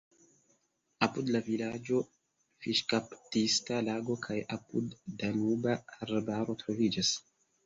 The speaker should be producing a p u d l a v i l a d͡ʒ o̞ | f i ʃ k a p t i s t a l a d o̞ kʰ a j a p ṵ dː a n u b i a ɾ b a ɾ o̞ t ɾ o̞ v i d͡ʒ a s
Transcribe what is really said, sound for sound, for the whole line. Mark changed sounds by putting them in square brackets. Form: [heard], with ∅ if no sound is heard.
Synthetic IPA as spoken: a p u d l a v i l a d͡ʒ o̞ | f i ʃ k a p t i s t a l a [ɡ] o̞ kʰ a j a p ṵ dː a n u b [a] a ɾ b a ɾ o̞ t ɾ o̞ v i d͡ʒ a s